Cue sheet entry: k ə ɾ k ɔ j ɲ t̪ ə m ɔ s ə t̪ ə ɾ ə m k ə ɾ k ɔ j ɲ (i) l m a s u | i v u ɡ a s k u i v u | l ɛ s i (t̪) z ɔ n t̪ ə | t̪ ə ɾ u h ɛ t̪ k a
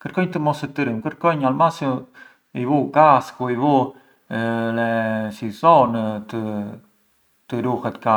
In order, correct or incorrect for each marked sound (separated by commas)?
incorrect, incorrect